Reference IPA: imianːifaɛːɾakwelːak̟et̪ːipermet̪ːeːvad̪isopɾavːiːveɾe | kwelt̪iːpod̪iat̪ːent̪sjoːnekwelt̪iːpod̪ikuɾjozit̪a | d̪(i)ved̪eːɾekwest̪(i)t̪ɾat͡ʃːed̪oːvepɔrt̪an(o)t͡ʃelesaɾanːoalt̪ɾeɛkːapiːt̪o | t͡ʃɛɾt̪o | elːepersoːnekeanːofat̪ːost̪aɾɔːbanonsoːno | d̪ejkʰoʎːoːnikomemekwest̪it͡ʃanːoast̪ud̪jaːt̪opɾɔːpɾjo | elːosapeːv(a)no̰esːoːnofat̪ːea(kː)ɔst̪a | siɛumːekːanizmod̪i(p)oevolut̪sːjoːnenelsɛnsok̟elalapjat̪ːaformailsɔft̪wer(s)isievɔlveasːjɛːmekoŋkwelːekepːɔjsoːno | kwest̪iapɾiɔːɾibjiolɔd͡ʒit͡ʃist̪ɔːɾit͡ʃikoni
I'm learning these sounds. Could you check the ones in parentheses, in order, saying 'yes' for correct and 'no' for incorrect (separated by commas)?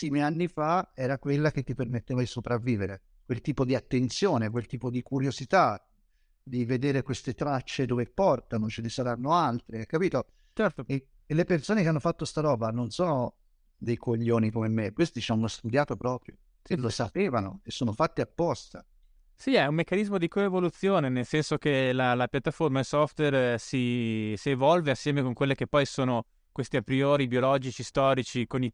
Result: yes, no, yes, yes, no, no, yes